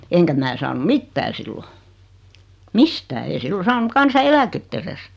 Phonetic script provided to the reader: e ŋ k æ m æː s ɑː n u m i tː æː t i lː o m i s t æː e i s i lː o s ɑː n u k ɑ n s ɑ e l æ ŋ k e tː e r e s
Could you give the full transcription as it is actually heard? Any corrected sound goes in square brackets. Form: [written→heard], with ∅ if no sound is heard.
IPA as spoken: e ŋ k æ m æː s ɑː n u m i tː æː [t→s] i lː o m i s t æː e i s i lː o s ɑː n u k ɑ n s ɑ e l æ [ŋ→∅] k e tː e r e s